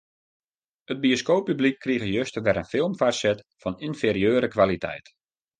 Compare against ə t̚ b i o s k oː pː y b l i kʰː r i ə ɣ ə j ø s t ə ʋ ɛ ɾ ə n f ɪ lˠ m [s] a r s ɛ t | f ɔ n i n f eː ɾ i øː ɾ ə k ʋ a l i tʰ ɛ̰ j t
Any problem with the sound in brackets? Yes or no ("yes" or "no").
yes